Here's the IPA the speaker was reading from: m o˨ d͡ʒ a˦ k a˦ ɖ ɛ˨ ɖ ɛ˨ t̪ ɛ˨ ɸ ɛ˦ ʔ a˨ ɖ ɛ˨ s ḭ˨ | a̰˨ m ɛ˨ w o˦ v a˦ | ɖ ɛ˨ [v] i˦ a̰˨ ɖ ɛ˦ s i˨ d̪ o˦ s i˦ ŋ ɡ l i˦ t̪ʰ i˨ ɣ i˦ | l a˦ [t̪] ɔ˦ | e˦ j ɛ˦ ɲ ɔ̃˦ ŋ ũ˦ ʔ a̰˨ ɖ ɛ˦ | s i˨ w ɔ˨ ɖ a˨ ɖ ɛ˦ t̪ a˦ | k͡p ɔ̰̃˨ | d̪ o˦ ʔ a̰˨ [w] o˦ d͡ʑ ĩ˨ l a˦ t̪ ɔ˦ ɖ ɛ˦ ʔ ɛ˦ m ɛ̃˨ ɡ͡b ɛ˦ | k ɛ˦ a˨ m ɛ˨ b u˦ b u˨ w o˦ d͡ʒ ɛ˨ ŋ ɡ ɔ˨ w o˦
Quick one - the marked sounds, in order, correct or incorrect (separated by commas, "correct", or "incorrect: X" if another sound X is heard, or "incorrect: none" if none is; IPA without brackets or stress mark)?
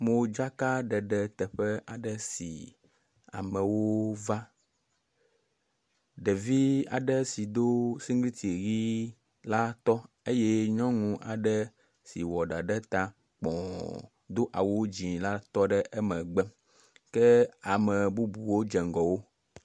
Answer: correct, correct, correct